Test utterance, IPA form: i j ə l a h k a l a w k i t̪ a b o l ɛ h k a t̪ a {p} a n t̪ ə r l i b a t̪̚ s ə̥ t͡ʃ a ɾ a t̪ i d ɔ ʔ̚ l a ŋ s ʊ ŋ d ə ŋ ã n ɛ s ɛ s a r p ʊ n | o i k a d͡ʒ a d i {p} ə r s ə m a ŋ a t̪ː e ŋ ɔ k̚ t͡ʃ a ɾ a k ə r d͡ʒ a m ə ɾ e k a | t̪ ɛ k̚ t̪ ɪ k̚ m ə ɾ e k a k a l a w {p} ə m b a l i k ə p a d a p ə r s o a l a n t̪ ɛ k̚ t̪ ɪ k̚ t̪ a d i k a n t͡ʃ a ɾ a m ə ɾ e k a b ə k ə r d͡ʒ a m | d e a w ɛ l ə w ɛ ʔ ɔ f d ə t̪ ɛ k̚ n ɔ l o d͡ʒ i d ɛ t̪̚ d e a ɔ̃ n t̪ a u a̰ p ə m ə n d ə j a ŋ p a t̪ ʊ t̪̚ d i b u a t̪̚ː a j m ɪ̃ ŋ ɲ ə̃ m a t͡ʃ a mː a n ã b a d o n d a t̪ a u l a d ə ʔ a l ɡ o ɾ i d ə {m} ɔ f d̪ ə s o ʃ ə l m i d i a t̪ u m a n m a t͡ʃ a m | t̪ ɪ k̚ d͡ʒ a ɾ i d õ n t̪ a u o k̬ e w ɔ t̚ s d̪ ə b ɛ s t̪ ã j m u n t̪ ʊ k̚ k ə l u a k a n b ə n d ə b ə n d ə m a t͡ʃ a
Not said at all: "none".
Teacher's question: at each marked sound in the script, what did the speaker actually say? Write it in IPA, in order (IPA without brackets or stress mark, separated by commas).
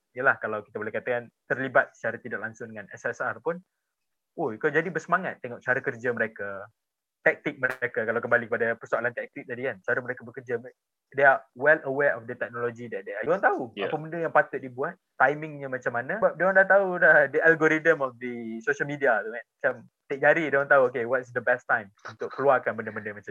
k, b, k, m